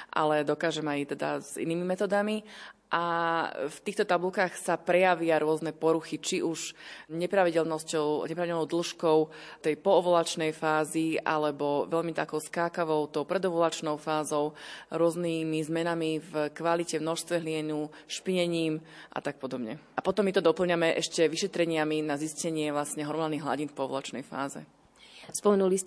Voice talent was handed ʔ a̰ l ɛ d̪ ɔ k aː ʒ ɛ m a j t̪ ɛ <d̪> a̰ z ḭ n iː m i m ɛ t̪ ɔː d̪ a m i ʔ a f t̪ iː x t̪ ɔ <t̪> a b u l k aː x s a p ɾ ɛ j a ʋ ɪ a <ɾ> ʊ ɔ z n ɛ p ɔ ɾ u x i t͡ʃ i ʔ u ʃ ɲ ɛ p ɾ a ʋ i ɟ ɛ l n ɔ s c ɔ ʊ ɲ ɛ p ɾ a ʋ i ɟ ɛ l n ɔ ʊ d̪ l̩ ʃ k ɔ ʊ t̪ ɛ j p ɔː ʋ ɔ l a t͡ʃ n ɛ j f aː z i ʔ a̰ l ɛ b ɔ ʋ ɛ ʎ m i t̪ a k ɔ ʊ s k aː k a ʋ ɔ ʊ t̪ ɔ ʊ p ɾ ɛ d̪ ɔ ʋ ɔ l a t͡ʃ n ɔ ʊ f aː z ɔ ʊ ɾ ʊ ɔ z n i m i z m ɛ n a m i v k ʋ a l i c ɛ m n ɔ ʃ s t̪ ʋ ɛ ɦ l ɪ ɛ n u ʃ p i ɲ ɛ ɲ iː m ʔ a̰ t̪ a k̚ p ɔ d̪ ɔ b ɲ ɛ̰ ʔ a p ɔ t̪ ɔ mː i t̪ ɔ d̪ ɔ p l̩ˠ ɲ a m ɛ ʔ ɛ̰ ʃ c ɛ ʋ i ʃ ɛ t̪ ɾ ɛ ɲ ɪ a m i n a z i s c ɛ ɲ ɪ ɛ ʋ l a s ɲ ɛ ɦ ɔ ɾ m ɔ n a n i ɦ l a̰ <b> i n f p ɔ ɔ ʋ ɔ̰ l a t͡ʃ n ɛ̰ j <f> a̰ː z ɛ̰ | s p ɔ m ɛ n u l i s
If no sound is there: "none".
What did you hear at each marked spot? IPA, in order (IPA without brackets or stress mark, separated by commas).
d̪, t̪, ɾ, ɟ, f